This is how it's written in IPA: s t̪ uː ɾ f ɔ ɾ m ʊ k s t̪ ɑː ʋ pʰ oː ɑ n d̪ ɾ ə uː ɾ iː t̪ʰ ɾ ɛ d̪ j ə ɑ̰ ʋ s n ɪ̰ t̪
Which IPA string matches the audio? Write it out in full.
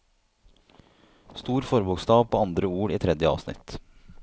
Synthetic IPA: s t̪ uː ɾ f ɔ ɾ b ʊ k s t̪ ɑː ʋ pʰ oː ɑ n d̪ ɾ ə uː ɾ iː t̪ʰ ɾ ɛ d̪ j ə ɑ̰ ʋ s n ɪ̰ t̪